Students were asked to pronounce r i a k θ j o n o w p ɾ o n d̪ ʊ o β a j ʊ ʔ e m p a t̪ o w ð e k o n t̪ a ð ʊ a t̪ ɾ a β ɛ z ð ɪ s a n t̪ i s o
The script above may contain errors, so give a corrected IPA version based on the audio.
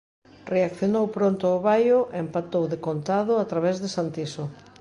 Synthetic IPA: r e a k θ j o n o w p ɾ o n t̪ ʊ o β a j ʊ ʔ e m p a t̪ o w ð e k o n t̪ a ð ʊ a t̪ ɾ a β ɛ z ð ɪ s a n t̪ i s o